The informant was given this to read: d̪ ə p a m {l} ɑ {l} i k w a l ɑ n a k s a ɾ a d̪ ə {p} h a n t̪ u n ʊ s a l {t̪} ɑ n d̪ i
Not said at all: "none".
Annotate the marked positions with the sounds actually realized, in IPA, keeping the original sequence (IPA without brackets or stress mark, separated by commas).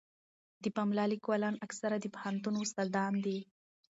l, l, p, d̪